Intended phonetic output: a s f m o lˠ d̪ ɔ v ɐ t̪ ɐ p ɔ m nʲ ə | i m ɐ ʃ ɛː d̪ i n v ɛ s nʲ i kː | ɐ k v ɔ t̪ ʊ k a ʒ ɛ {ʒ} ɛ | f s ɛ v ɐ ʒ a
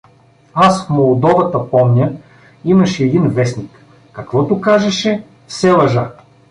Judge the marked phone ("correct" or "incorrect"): incorrect